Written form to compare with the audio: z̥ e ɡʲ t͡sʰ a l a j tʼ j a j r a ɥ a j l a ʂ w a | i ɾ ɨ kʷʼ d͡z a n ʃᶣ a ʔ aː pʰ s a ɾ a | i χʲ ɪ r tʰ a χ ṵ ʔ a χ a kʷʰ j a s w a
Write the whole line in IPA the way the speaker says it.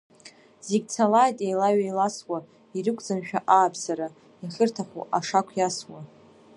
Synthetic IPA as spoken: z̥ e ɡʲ t͡sʰ a l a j tʼ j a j l a ɥ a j l a s w a | i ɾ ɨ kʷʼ d͡z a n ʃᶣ a ʔ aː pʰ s a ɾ a | i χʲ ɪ r tʰ a χ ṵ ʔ a ʂ a kʷʰ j a s w a